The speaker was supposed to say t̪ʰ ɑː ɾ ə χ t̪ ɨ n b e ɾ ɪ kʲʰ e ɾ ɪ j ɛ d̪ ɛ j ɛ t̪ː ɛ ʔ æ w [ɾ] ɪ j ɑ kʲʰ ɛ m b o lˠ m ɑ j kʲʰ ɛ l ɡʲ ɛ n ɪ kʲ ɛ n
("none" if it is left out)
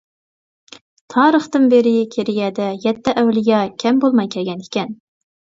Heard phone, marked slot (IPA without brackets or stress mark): l